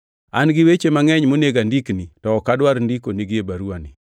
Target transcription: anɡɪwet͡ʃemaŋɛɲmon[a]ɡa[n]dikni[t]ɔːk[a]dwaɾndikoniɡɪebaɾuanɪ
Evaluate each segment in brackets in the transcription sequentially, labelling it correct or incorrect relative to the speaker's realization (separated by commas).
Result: incorrect, correct, correct, correct